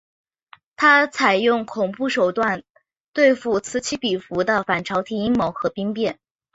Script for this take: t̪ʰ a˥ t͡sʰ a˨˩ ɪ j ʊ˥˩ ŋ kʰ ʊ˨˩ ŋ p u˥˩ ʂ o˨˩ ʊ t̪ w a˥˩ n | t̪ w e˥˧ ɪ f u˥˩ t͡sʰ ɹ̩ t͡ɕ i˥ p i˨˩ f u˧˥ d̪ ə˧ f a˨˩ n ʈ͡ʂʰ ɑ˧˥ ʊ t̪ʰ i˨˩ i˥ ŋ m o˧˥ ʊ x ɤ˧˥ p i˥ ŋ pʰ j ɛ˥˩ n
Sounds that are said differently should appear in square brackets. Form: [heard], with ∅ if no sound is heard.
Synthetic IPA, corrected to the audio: t̪ʰ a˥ t͡sʰ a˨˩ ɪ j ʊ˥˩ ŋ kʰ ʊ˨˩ ŋ p u˥˩ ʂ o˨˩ ʊ t̪ w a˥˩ n | t̪ w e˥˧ ɪ f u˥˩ t͡sʰ ɹ̩ [t͡ɕʰ] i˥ p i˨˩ f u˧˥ d̪ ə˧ f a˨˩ n ʈ͡ʂʰ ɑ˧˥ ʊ t̪ʰ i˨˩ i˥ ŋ m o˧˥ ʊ x ɤ˧˥ p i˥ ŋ [p] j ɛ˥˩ n